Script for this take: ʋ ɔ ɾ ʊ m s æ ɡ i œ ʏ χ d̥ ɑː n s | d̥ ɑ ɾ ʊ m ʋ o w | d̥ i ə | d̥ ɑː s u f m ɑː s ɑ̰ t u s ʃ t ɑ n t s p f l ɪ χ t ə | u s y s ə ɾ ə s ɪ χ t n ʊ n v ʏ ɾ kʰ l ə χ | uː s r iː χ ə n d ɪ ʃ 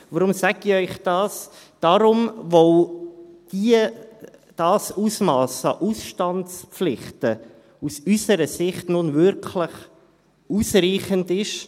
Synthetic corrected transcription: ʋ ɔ ɾ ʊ m s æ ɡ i œ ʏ χ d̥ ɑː s | d̥ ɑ ɾ ʊ m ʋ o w | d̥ i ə | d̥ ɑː s u s m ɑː s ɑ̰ ʔ u s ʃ t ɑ n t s p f l ɪ χ t ə | u s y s ə ɾ ə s ɪ χ t n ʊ n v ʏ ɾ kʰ l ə χ | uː s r iː χ ə n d ɪ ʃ

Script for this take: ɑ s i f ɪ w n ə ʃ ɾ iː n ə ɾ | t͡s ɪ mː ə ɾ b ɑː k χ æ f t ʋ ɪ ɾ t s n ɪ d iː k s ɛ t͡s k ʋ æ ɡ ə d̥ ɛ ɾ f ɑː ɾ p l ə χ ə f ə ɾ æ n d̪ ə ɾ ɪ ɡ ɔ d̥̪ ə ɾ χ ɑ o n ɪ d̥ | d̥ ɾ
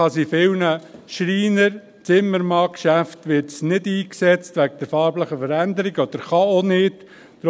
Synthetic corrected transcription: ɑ s i f ɪ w n ə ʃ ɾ iː n ə ɾ | t͡s ɪ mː ə ɾ m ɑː k ʃ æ f t ʋ ɪ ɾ t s n ɪ d iː k s ɛ t͡s t ʋ æ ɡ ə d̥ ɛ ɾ f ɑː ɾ b l ə χ ə f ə ɾ æ n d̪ ə ɾ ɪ ɡ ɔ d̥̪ ə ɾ χ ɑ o n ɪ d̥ | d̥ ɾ

